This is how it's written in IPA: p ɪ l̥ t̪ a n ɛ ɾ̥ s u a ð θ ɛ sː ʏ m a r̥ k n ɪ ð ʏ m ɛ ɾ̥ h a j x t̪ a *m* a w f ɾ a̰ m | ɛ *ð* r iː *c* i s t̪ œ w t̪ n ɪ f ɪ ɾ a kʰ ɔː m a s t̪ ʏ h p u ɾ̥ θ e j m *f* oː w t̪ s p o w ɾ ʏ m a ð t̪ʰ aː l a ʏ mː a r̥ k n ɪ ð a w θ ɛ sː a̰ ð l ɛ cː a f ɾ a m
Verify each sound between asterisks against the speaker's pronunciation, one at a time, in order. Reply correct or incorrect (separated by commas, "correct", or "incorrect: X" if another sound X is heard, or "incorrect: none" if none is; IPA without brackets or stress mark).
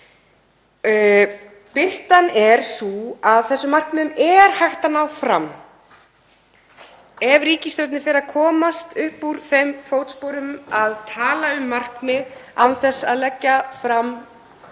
incorrect: n, incorrect: v, correct, correct